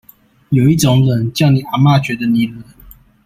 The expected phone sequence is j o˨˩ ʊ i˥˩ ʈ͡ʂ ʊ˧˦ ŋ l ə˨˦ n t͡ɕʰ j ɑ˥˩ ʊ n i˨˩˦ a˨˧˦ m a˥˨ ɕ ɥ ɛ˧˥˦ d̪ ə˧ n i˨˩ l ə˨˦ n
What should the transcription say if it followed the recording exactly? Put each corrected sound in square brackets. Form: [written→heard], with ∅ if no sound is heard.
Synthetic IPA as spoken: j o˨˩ ʊ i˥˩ ʈ͡ʂ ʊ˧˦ ŋ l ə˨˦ n [t͡ɕʰ→t͡ɕ] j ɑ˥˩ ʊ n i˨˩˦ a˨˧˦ m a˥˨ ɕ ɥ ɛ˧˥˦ d̪ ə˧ n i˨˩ l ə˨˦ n